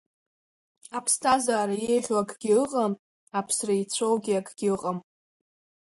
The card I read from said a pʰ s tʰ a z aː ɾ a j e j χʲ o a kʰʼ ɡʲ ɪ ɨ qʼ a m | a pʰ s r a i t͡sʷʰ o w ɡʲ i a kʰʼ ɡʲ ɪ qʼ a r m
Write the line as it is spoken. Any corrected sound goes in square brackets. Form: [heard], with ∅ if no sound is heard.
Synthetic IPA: a pʰ s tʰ a z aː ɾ a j e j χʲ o a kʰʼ ɡʲ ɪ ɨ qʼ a m | a pʰ s r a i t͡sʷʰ o w ɡʲ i a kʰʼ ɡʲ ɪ qʼ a [∅] m